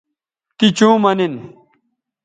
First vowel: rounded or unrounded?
unrounded